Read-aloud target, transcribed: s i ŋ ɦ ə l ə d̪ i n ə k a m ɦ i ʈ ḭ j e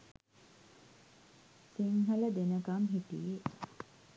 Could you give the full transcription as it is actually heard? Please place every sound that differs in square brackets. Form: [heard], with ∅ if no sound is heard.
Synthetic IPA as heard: s i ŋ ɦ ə l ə d̪ [e] n ə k a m ɦ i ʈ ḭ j e

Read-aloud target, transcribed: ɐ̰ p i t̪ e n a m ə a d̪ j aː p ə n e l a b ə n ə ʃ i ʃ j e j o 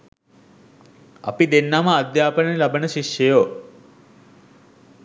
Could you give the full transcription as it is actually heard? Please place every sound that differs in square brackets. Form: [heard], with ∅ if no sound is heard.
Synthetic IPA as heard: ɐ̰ p i [d̪] e [nː] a m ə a d̪ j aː p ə n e l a b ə n ə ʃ i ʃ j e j o

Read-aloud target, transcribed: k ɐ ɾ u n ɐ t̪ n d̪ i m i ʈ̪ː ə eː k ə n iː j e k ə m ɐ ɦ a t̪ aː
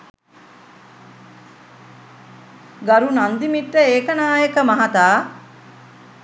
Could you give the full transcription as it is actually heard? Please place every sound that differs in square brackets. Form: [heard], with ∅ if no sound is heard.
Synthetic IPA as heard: [ɡ] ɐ ɾ u n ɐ [∅] n d̪ i m i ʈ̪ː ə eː k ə n [aː] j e k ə m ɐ ɦ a t̪ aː

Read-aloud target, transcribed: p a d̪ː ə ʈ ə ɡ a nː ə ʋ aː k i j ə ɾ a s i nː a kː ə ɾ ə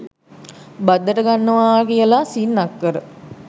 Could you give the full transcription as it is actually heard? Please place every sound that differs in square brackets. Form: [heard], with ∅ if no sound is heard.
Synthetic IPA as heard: [b] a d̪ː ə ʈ ə ɡ a nː ə ʋ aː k i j ə [l] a s i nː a kː ə ɾ ə

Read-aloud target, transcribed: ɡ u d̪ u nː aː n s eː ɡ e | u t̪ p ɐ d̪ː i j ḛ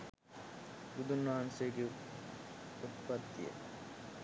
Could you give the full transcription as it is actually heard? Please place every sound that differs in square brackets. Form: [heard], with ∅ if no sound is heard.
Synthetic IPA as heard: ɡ u d̪ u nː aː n s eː ɡ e | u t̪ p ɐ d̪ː i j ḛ

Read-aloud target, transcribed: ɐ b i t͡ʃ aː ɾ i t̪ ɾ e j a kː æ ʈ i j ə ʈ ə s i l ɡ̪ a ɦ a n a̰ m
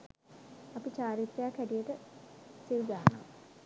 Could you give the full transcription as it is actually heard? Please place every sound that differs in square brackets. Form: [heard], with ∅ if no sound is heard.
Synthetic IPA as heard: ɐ [p] i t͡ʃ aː ɾ i t̪ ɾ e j a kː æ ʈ i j ə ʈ ə s i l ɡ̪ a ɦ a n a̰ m

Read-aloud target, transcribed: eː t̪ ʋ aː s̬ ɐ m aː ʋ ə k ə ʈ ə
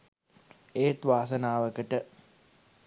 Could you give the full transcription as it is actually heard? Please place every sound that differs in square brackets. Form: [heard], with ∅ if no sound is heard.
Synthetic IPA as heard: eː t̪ ʋ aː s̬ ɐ [n] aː ʋ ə k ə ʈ ə

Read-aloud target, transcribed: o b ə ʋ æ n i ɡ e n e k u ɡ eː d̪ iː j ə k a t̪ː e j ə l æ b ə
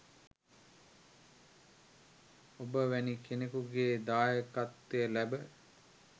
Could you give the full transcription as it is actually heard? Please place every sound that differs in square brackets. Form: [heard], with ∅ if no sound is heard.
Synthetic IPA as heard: o b ə ʋ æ n i [k] e n e k u ɡ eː d̪ [aː] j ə k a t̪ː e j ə l æ b ə

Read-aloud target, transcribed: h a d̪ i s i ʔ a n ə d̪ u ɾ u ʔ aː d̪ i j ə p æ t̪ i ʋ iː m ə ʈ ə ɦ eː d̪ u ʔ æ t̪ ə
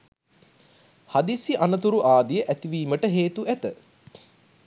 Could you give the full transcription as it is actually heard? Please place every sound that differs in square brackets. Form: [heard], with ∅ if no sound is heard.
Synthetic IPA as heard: h a d̪ i s i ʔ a n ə [t̪] u ɾ u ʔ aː d̪ i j ə [ʔ] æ t̪ i ʋ iː m ə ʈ ə ɦ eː [t̪] u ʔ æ t̪ ə

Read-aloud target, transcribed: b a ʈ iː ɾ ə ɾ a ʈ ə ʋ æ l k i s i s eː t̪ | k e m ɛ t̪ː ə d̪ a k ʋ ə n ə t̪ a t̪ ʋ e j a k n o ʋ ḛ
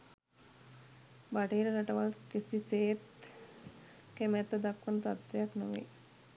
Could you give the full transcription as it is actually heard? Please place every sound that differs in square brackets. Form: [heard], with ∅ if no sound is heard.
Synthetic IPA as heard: b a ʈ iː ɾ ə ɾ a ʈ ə ʋ [a] l k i s i s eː t̪ | k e m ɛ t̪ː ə d̪ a k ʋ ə n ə t̪ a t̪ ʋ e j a k n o ʋ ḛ

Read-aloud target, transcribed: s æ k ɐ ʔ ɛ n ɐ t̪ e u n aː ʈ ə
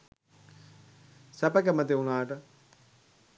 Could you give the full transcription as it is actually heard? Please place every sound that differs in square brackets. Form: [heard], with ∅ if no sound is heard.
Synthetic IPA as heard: s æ [p] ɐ [k] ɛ [m] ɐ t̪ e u n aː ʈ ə

